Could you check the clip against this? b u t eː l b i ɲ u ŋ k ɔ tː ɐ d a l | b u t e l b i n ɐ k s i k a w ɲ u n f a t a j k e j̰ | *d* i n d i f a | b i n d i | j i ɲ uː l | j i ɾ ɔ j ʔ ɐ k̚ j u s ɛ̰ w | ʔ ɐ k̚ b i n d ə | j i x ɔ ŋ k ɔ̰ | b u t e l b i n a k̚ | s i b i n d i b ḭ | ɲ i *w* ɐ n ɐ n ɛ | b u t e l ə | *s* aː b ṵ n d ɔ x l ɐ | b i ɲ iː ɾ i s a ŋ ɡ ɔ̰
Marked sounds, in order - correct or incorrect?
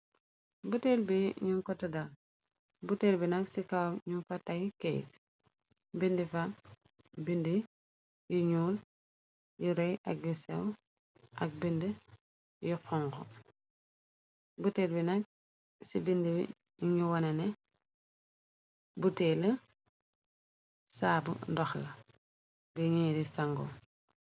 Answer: incorrect, correct, correct

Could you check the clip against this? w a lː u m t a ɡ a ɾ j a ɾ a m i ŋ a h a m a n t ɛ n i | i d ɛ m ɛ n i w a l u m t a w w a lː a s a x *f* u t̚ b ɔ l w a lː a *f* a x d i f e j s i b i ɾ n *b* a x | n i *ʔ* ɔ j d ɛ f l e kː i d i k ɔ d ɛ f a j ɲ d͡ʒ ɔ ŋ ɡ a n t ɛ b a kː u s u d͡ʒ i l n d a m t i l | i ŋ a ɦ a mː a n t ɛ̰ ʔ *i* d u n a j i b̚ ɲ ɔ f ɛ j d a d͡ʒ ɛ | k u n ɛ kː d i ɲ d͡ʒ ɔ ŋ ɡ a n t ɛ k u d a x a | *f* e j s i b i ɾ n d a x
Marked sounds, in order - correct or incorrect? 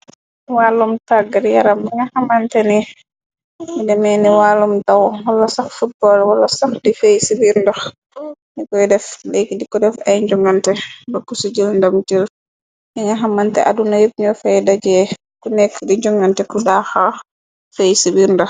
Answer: correct, incorrect, incorrect, incorrect, incorrect, correct

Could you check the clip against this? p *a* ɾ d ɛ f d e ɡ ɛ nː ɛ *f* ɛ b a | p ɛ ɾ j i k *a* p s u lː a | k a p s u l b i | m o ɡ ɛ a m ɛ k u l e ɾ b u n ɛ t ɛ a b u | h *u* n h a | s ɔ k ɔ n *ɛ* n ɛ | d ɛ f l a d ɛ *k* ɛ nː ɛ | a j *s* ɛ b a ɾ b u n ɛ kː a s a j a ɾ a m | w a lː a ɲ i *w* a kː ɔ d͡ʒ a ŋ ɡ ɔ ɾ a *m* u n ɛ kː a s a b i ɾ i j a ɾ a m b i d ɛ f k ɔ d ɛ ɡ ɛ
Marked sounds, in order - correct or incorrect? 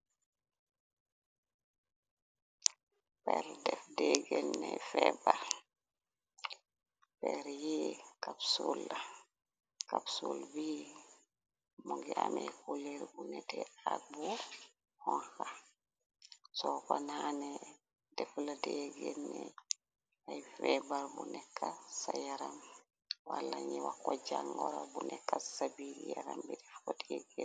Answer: incorrect, correct, correct, incorrect, incorrect, incorrect, incorrect, correct, incorrect

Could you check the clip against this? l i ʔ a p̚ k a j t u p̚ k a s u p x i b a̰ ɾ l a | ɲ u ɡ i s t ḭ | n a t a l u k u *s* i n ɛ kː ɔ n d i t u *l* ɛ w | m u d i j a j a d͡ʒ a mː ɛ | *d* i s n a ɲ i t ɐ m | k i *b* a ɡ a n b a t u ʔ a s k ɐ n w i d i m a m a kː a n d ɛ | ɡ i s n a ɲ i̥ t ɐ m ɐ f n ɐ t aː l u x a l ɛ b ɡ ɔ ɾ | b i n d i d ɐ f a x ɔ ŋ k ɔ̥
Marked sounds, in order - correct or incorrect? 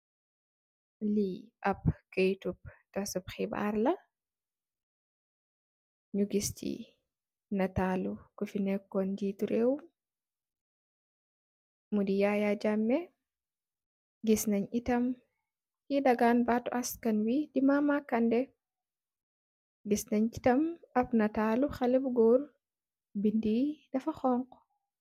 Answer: incorrect, incorrect, incorrect, incorrect

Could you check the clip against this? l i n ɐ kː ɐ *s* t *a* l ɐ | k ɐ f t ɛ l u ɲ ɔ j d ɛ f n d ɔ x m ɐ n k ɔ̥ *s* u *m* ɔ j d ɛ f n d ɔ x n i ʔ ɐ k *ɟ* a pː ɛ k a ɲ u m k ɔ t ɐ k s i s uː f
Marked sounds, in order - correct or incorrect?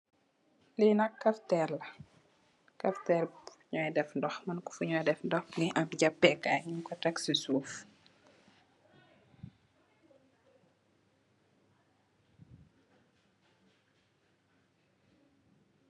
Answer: incorrect, incorrect, incorrect, incorrect, correct

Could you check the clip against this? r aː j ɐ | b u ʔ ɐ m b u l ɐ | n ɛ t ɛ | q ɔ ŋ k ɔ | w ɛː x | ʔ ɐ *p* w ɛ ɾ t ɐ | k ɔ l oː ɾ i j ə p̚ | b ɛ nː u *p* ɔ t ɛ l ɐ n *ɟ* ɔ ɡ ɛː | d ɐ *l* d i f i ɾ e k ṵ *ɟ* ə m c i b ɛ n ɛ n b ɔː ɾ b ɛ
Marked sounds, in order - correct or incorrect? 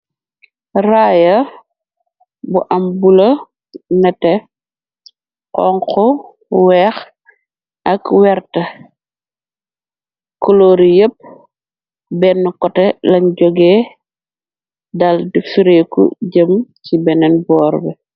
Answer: incorrect, incorrect, correct, correct, correct

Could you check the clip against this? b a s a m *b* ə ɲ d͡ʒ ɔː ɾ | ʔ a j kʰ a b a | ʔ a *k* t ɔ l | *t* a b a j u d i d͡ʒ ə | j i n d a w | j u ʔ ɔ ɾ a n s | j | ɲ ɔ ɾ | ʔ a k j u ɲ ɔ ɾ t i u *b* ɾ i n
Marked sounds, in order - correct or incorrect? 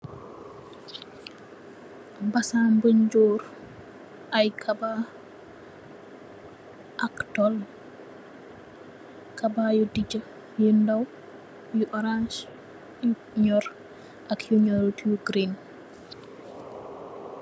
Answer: correct, correct, incorrect, incorrect

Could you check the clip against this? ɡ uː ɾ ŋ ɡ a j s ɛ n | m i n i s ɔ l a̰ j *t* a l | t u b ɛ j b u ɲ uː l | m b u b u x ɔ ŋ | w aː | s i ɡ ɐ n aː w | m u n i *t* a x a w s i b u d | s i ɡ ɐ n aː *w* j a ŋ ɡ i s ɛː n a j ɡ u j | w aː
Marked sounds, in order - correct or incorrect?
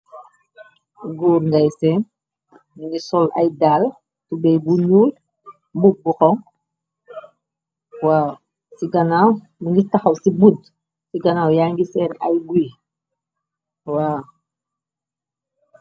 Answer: incorrect, correct, correct

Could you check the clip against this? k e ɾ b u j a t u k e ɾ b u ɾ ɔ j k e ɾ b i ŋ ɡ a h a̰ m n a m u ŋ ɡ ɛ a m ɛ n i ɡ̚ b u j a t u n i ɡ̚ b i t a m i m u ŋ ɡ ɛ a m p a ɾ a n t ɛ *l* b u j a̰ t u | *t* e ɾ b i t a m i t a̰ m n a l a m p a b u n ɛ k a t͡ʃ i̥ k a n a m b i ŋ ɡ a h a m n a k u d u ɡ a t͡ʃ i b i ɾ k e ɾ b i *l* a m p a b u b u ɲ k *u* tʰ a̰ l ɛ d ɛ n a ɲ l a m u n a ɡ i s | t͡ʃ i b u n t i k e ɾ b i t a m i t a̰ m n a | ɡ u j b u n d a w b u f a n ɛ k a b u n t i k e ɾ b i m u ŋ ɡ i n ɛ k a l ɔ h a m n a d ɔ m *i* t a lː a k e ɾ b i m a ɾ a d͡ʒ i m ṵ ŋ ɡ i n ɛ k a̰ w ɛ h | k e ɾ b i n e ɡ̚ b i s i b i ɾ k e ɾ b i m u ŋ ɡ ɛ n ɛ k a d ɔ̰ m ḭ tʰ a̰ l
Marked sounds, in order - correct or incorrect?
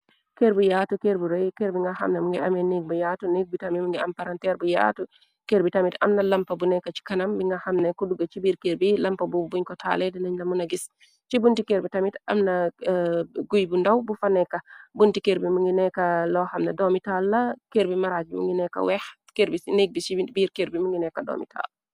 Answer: incorrect, incorrect, correct, incorrect, correct

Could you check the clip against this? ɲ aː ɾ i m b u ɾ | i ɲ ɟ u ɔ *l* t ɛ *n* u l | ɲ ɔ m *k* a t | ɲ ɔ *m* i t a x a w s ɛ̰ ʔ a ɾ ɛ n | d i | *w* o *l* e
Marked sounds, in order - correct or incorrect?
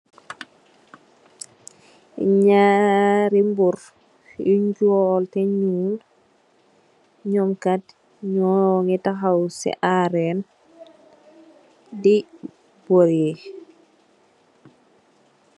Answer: correct, incorrect, correct, incorrect, incorrect, incorrect

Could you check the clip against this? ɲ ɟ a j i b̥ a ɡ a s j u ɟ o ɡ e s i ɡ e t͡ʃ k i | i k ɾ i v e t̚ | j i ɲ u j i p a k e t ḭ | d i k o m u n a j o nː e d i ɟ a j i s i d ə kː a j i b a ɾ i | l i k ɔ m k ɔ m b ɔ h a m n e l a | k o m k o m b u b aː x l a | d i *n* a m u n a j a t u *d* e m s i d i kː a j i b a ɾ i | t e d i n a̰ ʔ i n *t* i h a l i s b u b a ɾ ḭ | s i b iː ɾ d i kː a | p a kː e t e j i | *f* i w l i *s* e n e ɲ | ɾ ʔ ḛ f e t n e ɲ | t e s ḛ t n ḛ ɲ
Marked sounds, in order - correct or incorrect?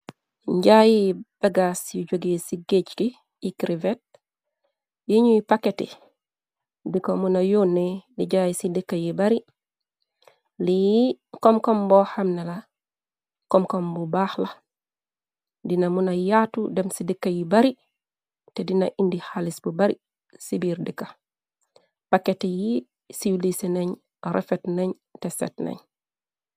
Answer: correct, correct, incorrect, incorrect, correct

